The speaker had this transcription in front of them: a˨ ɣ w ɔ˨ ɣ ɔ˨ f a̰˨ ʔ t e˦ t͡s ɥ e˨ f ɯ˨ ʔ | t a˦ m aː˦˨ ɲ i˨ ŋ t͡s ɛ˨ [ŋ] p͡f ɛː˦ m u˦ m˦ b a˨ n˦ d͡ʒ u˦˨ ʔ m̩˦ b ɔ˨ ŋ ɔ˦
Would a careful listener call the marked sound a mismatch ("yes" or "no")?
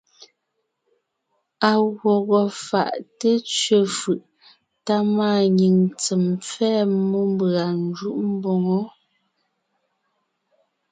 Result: yes